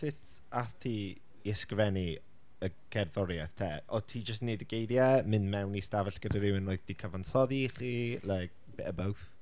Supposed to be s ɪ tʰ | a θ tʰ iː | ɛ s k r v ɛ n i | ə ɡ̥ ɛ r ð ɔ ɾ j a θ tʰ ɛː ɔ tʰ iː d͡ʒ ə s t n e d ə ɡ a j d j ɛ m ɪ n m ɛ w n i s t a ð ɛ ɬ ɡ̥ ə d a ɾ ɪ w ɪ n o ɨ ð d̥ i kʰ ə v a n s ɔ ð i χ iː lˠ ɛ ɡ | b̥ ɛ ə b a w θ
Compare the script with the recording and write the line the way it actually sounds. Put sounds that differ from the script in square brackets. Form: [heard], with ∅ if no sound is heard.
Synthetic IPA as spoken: s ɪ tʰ | a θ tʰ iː | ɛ s k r v ɛ n i | ə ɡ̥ ɛ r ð ɔ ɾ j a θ tʰ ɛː ɔ tʰ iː d͡ʒ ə s t n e d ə ɡ [e] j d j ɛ m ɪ n m ɛ w n i s t a [v] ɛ ɬ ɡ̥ ə d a ɾ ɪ w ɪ n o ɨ ð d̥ i kʰ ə v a n s ɔ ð i χ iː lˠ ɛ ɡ | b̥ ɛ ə b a w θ